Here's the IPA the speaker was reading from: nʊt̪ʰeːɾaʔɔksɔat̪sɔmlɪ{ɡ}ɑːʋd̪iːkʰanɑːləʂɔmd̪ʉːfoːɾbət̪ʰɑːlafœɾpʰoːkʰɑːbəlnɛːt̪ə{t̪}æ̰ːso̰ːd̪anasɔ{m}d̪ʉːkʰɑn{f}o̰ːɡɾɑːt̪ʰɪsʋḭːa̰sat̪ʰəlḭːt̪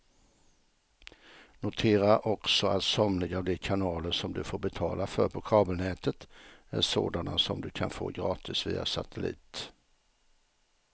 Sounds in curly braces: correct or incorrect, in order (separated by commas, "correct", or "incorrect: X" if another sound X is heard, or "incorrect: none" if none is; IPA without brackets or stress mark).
correct, correct, correct, correct